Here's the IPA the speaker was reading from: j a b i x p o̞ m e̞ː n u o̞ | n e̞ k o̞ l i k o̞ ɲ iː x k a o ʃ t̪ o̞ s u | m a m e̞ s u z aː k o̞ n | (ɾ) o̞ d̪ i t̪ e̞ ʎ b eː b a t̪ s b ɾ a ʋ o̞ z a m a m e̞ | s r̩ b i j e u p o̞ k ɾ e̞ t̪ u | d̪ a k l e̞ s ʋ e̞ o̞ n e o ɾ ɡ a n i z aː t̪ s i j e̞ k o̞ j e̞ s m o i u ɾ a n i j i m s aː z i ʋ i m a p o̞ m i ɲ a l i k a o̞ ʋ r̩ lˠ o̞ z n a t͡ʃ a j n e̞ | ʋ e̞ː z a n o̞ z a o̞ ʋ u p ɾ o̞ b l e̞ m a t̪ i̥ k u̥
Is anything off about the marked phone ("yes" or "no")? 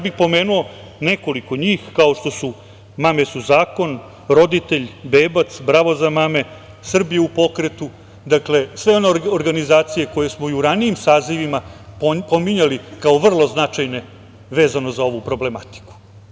no